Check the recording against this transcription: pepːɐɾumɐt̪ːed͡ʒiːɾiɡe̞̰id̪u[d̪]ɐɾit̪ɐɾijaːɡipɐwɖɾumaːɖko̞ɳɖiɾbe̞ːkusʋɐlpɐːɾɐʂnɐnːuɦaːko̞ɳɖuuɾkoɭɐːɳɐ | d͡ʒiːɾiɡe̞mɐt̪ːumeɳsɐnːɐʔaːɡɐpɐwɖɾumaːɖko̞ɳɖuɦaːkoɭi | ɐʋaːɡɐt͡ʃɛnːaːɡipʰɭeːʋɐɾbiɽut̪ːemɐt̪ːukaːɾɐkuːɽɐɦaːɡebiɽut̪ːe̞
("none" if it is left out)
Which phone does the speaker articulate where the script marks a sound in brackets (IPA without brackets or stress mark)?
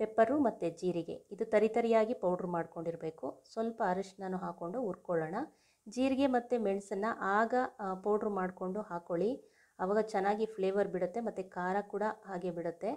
t̪